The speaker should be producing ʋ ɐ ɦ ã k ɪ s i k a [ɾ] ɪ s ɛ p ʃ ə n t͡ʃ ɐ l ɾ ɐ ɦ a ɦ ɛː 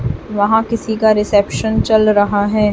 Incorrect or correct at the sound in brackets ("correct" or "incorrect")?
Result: correct